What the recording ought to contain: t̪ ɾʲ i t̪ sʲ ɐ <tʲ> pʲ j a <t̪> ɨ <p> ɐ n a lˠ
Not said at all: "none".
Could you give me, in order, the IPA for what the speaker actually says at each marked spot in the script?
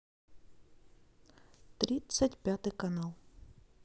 tʲ, t̪, k

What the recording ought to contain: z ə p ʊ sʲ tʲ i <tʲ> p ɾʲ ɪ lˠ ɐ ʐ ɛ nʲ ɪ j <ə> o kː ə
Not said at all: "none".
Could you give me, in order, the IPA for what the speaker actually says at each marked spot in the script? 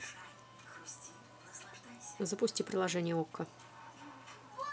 none, ə

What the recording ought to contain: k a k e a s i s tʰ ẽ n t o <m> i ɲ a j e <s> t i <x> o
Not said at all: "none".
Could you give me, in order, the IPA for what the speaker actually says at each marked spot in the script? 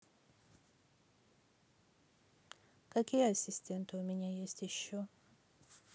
m, s, ʃ

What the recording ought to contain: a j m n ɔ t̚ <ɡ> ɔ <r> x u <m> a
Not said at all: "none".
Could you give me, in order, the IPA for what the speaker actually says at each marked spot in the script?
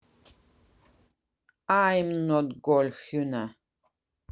ɡ, l, n

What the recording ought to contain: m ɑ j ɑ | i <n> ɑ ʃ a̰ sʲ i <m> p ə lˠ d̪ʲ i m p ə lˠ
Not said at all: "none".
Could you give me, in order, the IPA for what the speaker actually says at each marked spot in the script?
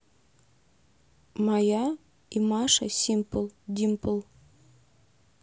m, m

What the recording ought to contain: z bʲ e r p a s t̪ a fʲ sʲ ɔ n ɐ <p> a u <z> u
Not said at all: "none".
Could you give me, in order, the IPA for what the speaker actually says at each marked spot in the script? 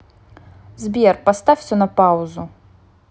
p, z

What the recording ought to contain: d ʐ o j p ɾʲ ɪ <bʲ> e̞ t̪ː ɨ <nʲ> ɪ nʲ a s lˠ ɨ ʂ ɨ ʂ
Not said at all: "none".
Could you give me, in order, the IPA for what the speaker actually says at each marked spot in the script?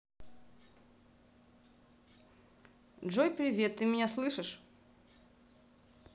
vʲ, mʲ

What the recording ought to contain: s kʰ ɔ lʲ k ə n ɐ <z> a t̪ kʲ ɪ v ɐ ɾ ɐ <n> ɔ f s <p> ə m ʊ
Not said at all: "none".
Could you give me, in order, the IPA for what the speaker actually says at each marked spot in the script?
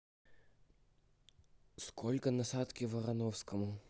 s, n, k

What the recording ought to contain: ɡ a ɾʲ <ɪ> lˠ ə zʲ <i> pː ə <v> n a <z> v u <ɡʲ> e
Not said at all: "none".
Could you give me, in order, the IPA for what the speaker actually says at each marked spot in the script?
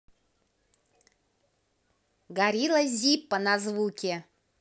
i, i, none, z, kʲ

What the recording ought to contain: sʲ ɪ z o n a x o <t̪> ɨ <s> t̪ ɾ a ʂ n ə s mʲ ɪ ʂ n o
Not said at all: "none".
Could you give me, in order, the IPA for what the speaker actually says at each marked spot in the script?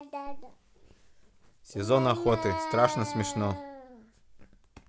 t̪, s

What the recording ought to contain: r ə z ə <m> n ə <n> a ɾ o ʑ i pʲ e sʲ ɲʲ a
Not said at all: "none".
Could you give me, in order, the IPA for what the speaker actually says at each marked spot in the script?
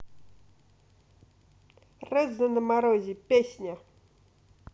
none, m

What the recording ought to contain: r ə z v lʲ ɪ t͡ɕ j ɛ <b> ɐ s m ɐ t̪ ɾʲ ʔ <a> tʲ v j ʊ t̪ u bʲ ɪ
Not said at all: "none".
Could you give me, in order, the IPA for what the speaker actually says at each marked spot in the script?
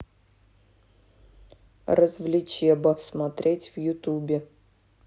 b, e

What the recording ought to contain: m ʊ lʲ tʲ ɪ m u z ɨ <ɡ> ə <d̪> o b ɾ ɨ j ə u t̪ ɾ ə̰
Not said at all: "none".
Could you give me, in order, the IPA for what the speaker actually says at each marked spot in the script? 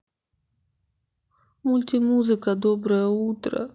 k, d̪

